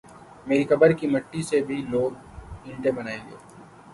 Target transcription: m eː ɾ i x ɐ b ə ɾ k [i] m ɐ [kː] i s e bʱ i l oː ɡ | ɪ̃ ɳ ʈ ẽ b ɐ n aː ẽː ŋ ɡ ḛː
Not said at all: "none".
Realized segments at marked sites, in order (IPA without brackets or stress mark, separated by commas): i, ʈː